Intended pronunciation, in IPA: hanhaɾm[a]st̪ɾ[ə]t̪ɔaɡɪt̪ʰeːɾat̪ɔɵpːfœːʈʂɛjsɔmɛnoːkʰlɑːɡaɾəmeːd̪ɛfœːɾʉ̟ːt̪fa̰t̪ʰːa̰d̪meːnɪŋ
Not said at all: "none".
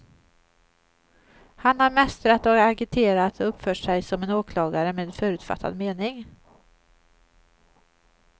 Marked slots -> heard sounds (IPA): ɛ, a

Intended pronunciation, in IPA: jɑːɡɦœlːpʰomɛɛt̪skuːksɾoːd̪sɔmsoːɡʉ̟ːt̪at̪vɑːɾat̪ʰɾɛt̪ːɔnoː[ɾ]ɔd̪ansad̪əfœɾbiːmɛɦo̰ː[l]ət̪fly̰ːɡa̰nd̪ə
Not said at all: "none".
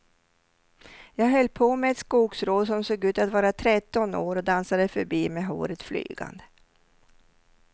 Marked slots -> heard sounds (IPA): ɾ, ɾ

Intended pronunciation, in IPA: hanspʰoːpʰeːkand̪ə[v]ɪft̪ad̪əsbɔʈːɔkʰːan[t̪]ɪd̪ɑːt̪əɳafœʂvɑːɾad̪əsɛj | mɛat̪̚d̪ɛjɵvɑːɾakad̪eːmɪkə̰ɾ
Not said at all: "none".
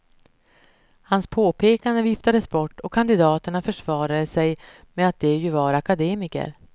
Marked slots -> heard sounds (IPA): v, d̪

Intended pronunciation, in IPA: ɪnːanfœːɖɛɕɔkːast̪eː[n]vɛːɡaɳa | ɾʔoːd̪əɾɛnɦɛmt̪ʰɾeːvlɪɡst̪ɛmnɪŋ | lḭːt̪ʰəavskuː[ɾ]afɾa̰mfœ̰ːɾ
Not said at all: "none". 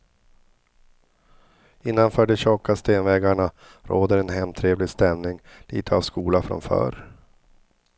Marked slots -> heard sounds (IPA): n, l

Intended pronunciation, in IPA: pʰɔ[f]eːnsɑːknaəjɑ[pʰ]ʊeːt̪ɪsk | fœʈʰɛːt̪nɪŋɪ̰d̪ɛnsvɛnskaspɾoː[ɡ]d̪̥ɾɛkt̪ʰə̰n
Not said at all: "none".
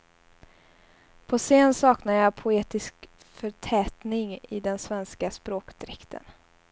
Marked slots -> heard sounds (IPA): s, pʰ, k

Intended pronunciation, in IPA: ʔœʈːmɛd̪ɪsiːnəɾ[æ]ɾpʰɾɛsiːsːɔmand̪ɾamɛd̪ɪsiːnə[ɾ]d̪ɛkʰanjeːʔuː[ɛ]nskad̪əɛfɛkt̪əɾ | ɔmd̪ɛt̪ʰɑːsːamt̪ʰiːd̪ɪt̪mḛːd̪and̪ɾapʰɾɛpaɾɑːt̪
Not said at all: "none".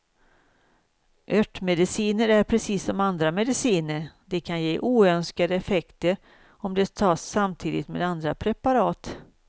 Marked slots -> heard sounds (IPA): æ, ɾ, œ

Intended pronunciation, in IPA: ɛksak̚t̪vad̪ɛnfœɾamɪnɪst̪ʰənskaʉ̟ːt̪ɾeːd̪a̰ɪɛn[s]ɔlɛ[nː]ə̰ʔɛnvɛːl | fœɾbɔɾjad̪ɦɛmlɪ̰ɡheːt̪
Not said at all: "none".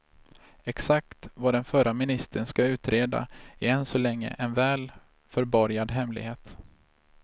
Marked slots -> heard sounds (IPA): s, ŋː

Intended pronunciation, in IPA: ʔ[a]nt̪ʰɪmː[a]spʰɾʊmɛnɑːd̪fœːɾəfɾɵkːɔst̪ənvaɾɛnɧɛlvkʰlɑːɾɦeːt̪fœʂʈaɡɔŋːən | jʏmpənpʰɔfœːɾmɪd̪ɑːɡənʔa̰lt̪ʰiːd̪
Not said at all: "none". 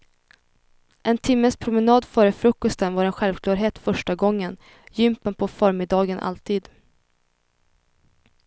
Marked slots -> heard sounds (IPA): ɛ, ə

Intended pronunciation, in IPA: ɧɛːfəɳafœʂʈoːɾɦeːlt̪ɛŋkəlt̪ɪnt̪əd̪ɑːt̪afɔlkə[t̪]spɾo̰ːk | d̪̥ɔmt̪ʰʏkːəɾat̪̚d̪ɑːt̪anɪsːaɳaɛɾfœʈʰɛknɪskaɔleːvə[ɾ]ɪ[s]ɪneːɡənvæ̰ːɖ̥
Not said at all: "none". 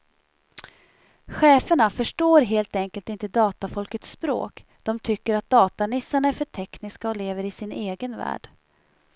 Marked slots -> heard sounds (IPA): t̪, ɾ, s

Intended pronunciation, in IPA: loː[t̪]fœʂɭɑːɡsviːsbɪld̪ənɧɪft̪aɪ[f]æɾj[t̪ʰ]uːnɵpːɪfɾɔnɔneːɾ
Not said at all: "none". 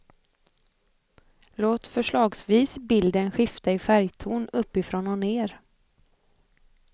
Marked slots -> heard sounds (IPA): t̪, f, t̪ʰ

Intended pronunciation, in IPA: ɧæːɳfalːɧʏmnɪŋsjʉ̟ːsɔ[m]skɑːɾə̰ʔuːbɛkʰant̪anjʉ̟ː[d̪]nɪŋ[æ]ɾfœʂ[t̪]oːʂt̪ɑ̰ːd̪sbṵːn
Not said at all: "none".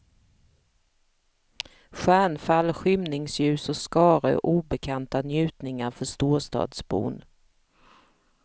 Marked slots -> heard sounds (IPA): none, t̪, a, t̪

